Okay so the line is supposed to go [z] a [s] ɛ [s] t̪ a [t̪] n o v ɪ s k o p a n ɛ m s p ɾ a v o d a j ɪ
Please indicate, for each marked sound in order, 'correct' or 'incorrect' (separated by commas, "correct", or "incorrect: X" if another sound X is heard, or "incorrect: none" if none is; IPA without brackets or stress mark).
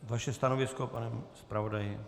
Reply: incorrect: v, incorrect: ʃ, correct, incorrect: none